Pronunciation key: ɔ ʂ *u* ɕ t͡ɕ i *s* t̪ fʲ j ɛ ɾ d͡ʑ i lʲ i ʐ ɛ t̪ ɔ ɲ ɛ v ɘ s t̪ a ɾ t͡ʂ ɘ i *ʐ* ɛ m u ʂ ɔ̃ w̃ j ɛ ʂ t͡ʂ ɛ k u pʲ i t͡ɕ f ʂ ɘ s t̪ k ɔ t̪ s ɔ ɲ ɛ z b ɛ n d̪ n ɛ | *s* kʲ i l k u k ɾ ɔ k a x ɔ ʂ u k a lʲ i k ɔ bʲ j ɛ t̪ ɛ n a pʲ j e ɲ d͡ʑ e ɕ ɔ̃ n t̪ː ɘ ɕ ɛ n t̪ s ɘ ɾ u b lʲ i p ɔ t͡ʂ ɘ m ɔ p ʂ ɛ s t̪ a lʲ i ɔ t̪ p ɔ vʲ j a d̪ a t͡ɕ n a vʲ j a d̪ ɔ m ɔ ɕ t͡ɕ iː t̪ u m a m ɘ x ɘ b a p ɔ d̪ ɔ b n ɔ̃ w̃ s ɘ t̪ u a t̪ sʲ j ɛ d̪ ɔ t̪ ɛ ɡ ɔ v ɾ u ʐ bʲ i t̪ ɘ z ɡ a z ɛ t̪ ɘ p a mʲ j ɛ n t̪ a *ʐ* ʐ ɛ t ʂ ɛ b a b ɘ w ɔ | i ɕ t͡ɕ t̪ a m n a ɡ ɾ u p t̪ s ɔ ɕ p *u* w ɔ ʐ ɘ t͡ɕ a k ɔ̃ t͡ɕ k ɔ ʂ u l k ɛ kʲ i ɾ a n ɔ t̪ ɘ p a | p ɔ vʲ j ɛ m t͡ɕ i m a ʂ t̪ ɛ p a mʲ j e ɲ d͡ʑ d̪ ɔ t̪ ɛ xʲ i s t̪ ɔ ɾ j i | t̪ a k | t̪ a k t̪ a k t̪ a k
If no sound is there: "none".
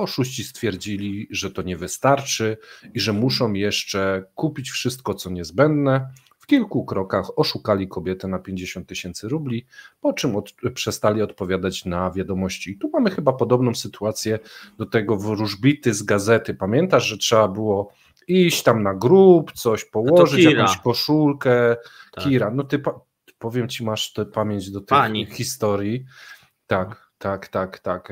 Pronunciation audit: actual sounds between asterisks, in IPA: u, s, ʐ, f, ʐ, ɔ

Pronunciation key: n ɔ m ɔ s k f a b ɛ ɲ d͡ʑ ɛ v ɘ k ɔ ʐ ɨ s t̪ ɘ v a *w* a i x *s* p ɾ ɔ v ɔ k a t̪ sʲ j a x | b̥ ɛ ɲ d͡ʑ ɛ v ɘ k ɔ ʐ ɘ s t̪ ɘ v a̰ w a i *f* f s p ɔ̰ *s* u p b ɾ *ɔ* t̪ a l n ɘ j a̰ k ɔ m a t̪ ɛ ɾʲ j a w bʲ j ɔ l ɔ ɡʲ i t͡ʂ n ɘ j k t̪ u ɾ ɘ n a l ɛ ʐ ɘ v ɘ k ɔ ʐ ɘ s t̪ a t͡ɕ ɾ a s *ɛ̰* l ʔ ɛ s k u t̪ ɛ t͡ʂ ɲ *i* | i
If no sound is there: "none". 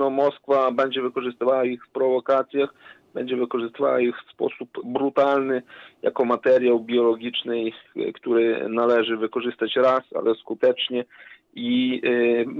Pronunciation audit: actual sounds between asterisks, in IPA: w, f, x, s, u, a̰, ɛ

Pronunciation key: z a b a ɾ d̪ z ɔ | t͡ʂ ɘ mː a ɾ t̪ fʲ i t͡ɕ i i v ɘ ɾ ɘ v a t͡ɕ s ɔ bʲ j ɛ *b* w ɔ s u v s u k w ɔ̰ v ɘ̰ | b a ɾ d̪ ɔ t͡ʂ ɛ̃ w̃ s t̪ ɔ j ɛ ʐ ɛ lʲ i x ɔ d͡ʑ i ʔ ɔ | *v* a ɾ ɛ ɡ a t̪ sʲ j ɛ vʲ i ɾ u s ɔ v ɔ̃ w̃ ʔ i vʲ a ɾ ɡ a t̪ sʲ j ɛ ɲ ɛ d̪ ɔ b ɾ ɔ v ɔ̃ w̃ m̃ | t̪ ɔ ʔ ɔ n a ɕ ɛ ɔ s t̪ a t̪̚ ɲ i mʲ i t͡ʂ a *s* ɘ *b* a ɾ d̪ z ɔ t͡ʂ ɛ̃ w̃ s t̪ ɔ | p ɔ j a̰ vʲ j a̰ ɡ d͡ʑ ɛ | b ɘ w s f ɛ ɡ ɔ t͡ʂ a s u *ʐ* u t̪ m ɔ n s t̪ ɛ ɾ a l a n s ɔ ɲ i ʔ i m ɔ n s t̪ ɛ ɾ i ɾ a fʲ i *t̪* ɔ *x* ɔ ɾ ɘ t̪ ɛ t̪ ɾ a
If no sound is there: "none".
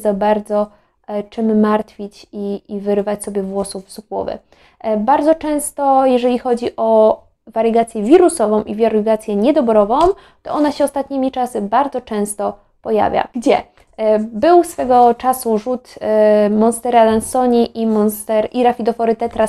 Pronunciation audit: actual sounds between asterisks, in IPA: v, v, s, b, ʐ, d̪, f

